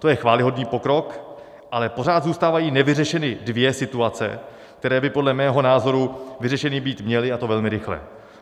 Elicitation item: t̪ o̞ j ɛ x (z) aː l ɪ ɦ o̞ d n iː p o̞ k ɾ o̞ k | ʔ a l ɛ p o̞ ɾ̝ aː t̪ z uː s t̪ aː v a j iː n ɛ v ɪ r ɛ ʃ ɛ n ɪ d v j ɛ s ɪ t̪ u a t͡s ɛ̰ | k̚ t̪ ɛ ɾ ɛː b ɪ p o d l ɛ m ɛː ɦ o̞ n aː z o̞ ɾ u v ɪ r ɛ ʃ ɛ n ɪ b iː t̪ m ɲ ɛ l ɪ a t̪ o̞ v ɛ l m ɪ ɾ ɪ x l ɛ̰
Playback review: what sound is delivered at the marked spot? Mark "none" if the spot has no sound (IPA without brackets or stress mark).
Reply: v